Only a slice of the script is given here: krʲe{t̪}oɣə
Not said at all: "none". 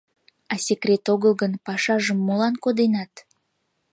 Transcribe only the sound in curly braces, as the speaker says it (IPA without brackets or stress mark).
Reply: t̪